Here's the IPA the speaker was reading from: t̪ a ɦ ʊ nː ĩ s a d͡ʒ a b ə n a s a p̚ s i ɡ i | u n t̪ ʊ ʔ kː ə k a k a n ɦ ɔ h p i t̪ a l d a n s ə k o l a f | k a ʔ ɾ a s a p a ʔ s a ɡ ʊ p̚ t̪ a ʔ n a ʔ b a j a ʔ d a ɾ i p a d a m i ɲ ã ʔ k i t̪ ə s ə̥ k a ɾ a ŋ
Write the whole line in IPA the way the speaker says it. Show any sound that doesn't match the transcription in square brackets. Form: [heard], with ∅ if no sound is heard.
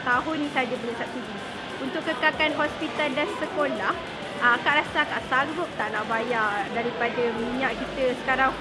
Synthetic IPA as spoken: t̪ a ɦ ʊ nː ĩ s a d͡ʒ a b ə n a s a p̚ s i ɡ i | u n t̪ ʊ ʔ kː ə k a k a n ɦ ɔ [s] p i t̪ a l d a n s ə k o l a [h] | k a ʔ ɾ a s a [k] a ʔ s a ɡ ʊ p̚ t̪ a ʔ n a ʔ b a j a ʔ d a ɾ i p a d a m i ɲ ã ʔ k i t̪ ə s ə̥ k a ɾ a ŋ

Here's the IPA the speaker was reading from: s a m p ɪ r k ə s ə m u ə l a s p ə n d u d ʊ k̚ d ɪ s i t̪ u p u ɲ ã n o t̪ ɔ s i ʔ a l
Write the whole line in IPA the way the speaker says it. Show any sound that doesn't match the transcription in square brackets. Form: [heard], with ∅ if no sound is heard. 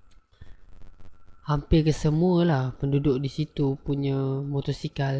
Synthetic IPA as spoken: [h] a m p ɪ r k ə s ə m u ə l a [h] p ə n d u d ʊ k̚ d [i] s i t̪ u p u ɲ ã [m] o t̪ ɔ s i [k] a l

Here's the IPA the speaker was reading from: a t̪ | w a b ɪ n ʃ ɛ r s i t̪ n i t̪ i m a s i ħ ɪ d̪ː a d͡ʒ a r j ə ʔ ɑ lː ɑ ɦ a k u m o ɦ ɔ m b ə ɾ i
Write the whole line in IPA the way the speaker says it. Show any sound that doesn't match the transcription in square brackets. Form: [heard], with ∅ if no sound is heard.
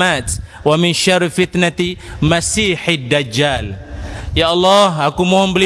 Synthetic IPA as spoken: a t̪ | w a [m] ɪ n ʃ [a] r [f] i t̪ n [a] t̪ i m a s i ħ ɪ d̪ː a d͡ʒ a [l] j [a] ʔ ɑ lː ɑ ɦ a k u m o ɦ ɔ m b ə [l] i

